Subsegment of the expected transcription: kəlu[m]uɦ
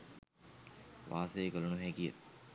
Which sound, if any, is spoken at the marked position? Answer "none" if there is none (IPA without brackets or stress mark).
n